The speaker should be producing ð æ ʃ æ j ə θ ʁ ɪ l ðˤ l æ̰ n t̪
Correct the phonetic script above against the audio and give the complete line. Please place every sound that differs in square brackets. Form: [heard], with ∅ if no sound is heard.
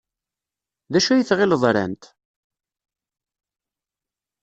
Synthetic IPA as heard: ð æ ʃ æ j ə θ ʁ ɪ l ðˤ [ɾ] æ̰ n t̪